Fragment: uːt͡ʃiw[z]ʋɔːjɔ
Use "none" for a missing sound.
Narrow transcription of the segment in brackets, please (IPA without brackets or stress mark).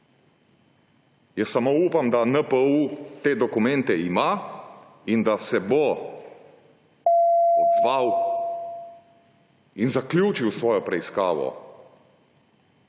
s